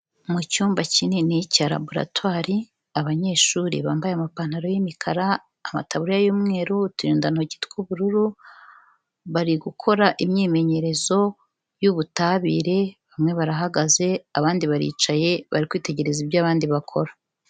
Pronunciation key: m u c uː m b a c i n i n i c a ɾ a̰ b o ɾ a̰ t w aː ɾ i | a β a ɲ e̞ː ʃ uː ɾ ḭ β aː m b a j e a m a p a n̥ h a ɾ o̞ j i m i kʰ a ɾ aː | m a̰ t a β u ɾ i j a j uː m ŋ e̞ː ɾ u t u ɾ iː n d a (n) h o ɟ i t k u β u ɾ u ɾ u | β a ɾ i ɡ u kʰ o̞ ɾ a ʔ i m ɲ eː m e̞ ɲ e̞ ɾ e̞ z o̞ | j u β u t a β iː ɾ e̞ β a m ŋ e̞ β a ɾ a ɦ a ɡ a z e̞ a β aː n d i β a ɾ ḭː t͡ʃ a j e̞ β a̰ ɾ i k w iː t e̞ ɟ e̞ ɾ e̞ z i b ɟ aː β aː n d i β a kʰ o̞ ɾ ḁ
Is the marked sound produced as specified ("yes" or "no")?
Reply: yes